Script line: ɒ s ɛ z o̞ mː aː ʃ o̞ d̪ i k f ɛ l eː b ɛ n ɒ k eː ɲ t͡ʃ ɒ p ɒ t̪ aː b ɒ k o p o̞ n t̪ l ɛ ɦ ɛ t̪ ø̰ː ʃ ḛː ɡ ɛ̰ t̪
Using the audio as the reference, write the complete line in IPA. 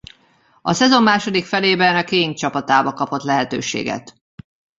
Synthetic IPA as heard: ɒ s ɛ z o̞ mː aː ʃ o̞ d̪ i k f ɛ l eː b ɛ n ɒ k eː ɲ t͡ʃ ɒ p ɒ t̪ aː b ɒ k ɒ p o̞ t̪ l ɛ ɦ ɛ t̪ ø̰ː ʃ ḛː ɡ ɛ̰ t̪